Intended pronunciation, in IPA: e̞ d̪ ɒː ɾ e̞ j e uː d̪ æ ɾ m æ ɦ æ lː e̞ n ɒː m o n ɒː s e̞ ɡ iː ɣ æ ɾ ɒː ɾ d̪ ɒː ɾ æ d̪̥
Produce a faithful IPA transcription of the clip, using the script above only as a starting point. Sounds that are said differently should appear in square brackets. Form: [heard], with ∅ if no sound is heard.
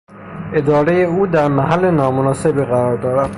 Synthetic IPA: e̞ d̪ ɒː ɾ e̞ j e uː d̪ æ ɾ m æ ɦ æ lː e̞ n ɒː m o n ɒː s e̞ [b] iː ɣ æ ɾ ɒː ɾ d̪ ɒː ɾ æ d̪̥